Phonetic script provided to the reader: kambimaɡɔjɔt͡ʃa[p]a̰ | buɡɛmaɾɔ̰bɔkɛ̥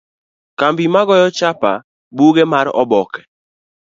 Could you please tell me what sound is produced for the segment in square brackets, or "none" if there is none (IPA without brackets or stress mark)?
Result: p